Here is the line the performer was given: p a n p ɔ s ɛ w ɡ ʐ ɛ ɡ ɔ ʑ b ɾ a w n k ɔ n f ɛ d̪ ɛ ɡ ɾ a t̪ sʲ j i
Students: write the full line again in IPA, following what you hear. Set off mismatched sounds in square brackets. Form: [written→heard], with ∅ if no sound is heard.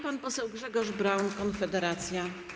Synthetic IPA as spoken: p a n p ɔ s ɛ w ɡ ʐ ɛ ɡ ɔ [ʑ→ʐ] b ɾ a w n k ɔ n f ɛ d̪ ɛ [ɡ→∅] ɾ a t̪ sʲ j [i→a]